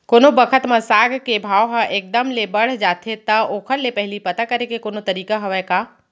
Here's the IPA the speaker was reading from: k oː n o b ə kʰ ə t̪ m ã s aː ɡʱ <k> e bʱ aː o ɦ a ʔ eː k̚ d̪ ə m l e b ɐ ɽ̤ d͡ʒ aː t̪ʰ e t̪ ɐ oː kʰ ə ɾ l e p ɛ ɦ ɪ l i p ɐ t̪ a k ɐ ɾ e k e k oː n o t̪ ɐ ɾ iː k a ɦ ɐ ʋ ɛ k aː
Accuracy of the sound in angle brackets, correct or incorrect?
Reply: correct